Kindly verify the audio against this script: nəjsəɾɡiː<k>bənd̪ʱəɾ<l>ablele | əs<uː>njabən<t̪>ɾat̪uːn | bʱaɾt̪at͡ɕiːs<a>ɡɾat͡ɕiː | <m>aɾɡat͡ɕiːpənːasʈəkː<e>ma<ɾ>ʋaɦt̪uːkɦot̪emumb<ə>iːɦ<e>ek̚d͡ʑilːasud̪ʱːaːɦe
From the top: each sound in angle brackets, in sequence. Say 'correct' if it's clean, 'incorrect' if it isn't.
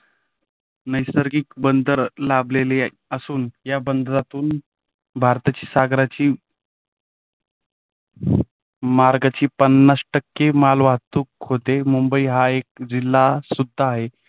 correct, correct, correct, incorrect: d̪, correct, correct, correct, incorrect: l, correct, incorrect: a

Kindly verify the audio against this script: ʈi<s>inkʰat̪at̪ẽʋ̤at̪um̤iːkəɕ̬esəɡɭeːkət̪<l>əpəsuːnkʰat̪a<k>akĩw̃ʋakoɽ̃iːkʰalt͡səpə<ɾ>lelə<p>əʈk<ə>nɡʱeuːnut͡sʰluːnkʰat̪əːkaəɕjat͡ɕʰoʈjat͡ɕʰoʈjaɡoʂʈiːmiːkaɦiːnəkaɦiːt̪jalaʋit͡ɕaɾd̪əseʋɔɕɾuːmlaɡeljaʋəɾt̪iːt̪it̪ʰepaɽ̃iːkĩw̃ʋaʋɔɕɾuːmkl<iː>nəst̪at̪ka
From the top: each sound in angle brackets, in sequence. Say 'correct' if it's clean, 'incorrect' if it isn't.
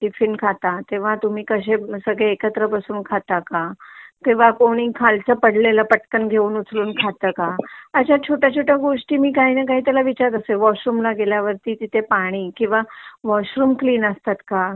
incorrect: f, incorrect: ɾ, correct, incorrect: ɽ, correct, correct, correct

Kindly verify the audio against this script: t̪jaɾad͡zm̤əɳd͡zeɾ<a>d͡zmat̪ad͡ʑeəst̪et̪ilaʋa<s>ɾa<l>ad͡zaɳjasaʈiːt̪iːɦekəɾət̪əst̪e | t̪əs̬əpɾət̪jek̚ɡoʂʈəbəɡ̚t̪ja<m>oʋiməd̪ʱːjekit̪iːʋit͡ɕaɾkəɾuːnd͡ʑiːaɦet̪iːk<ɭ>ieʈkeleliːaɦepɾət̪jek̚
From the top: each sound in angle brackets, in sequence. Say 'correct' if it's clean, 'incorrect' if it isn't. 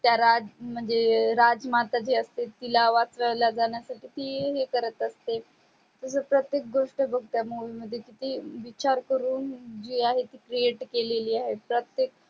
correct, incorrect: t͡s, correct, correct, incorrect: ɾ

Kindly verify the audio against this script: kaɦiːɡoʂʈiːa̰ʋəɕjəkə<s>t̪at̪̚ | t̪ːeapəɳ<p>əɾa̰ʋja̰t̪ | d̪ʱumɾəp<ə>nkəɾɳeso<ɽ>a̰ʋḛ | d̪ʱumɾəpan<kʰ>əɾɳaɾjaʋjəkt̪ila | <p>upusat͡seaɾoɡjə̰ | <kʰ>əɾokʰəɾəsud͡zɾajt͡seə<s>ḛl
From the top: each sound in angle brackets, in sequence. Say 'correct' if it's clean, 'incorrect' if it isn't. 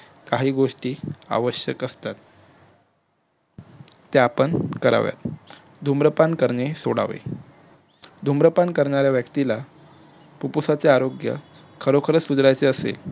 correct, incorrect: k, incorrect: a, correct, incorrect: k, correct, correct, correct

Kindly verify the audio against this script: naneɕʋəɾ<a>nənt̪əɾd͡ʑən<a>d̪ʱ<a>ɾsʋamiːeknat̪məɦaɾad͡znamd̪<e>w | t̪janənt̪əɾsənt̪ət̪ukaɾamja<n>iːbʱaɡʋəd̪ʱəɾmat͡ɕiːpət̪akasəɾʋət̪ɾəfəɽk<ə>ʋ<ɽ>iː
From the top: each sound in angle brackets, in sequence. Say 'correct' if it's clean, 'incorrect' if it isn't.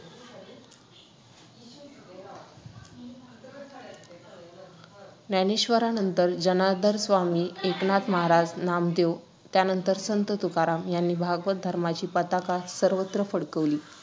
correct, correct, incorrect: ə, correct, incorrect: nː, correct, incorrect: l

